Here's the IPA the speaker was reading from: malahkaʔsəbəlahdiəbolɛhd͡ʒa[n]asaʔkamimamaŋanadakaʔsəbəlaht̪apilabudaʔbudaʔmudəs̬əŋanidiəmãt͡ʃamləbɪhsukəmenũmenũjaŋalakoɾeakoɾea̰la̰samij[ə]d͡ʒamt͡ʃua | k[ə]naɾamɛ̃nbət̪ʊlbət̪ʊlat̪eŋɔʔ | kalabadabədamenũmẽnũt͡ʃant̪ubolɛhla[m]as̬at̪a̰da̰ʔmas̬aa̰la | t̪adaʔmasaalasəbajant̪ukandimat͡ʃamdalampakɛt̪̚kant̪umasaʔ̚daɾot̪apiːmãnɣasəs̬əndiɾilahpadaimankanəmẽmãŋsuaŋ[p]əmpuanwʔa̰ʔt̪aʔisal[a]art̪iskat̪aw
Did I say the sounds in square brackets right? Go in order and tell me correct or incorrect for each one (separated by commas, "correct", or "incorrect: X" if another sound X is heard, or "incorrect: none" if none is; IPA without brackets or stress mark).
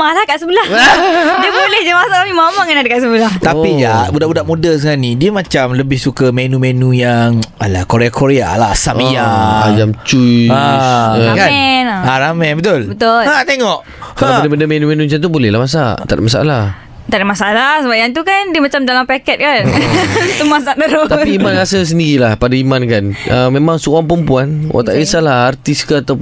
incorrect: m, incorrect: a, incorrect: a, correct, correct, correct